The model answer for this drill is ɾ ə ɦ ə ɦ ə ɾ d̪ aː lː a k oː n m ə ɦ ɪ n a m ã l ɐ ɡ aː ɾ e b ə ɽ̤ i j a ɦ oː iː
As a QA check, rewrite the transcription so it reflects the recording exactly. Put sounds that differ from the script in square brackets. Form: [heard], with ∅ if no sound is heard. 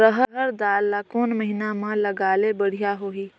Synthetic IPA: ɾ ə ɦ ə ɦ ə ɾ d̪ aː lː a k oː n m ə ɦ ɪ n a m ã l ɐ ɡ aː [l] e b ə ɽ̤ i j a ɦ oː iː